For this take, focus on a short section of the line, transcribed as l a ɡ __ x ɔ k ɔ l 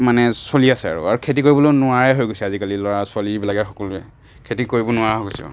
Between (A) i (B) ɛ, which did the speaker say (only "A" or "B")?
B